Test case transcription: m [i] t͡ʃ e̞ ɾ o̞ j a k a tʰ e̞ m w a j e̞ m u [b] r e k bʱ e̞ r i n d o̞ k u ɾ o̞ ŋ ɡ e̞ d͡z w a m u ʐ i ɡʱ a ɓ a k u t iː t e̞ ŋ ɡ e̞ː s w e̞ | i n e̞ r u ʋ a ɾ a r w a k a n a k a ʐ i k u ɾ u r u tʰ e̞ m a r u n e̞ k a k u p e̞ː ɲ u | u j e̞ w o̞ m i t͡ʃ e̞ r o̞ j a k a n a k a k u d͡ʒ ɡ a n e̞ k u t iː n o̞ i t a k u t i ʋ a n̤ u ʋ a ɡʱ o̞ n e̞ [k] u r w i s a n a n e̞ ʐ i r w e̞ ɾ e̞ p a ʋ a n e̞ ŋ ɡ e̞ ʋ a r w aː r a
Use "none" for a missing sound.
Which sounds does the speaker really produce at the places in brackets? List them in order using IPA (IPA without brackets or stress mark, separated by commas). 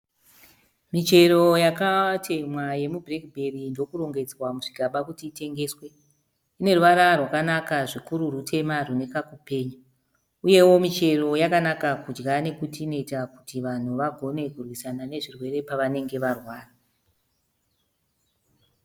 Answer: i, b, k